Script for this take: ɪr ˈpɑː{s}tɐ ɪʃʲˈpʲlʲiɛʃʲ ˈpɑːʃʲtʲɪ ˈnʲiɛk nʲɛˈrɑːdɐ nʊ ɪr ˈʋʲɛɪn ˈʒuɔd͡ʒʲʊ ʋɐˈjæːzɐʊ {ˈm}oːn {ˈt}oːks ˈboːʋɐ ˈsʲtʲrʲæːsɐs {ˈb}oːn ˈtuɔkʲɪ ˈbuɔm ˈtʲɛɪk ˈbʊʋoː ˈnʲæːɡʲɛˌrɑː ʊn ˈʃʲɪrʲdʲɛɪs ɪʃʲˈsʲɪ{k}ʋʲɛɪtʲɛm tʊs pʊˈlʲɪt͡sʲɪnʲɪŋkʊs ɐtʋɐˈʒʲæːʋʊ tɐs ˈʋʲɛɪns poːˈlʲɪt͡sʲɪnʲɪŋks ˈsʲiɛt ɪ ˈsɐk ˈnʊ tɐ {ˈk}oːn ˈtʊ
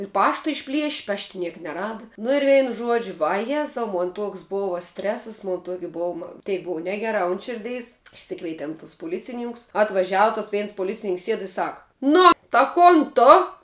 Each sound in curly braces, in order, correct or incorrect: incorrect, correct, correct, incorrect, correct, correct

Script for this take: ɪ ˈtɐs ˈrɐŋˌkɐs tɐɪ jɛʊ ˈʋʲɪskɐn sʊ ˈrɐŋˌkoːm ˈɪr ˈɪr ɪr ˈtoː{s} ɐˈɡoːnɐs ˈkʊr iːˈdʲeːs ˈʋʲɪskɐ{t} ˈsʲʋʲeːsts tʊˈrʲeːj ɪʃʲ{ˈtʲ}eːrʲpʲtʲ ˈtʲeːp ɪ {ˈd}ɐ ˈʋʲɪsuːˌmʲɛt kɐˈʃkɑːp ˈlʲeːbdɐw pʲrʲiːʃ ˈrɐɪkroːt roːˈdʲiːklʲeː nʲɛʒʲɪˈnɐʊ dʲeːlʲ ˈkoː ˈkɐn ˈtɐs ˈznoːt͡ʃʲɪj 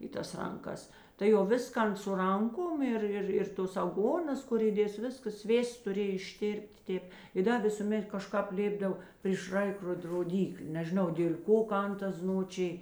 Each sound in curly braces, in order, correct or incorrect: correct, incorrect, correct, correct

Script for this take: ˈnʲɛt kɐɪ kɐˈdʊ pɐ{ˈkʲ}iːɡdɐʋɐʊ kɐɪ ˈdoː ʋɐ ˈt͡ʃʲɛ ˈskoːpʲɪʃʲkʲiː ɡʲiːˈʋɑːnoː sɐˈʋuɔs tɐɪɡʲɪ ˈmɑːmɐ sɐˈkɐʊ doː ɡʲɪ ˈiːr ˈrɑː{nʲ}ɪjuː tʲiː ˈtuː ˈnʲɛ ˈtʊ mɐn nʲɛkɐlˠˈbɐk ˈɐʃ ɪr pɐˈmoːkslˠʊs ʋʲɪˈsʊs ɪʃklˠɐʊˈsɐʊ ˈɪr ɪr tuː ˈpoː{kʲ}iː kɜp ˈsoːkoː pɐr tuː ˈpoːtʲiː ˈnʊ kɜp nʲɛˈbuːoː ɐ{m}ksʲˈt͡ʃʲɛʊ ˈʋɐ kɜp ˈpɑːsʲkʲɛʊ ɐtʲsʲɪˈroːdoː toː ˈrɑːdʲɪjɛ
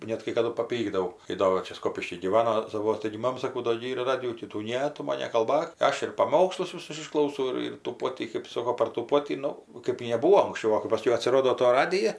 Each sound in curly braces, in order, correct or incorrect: incorrect, incorrect, incorrect, incorrect

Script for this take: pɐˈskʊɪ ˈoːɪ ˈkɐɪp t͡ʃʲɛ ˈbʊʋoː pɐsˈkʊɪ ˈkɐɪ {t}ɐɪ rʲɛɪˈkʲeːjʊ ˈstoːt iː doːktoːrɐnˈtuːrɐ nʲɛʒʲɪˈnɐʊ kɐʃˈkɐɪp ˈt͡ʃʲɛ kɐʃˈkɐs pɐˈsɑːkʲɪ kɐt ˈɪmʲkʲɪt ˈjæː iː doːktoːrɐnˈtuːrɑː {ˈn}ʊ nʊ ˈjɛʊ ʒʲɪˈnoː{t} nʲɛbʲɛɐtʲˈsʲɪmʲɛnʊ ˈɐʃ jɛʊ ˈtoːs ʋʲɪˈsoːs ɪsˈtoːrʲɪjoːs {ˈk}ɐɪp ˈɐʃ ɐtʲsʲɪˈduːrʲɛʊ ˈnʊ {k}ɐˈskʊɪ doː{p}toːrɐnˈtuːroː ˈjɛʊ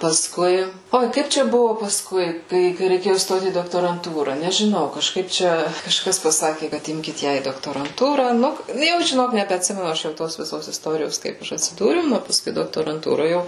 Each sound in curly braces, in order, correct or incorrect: incorrect, correct, incorrect, correct, incorrect, incorrect

